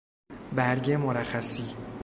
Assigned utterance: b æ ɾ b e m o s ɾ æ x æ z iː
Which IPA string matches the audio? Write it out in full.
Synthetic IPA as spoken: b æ ɾ ɟ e m o ɾ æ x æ s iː